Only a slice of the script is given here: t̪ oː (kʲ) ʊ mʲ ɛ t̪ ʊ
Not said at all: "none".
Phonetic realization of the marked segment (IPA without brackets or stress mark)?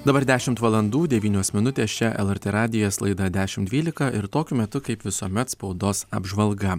kʲ